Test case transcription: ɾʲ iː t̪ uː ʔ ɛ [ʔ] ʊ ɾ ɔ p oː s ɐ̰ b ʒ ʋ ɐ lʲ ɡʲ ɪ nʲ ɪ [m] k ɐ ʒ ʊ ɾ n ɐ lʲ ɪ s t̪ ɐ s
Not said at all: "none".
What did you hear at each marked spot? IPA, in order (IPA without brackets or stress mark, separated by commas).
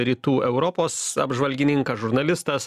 none, ŋ